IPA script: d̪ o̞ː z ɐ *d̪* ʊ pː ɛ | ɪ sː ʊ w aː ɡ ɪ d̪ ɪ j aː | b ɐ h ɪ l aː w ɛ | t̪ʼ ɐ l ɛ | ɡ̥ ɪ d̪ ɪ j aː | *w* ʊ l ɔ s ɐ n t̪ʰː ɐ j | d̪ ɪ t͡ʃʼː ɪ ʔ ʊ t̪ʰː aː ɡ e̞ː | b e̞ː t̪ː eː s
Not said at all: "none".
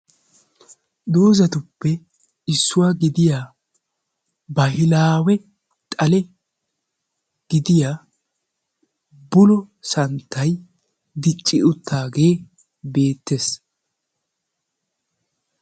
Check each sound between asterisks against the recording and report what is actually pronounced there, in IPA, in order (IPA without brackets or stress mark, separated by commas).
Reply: t̪, b